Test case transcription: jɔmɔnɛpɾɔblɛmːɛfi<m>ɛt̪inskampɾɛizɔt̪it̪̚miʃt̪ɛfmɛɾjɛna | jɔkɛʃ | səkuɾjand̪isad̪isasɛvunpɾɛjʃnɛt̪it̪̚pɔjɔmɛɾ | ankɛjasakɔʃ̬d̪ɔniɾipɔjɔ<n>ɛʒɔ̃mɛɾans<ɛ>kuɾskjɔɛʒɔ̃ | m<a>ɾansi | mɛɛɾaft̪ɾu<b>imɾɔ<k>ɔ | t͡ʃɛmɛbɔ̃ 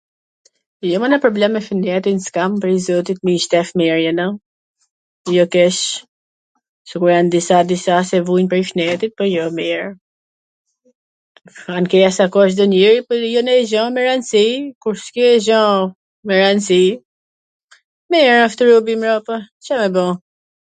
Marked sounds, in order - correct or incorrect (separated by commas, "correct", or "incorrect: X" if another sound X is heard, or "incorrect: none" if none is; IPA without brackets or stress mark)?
incorrect: n, correct, incorrect: i, incorrect: ɛ, correct, incorrect: p